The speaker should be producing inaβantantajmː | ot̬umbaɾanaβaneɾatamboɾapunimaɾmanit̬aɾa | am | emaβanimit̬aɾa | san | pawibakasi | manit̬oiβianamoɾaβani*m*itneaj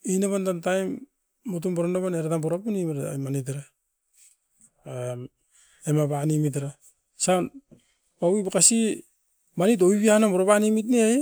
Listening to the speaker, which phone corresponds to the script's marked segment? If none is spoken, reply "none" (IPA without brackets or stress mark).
m